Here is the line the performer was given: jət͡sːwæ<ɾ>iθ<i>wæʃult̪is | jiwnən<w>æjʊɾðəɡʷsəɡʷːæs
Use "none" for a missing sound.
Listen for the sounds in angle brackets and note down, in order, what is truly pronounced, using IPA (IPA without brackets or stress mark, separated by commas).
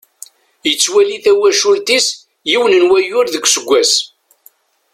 l, æ, w